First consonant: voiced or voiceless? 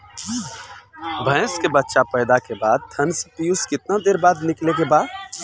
voiced